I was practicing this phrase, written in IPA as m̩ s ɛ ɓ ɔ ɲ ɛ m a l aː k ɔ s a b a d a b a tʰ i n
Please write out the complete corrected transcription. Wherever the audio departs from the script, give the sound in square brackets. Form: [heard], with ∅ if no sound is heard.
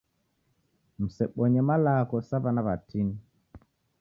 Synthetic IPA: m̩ s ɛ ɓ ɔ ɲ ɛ m a l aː k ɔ s a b a [n] a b a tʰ i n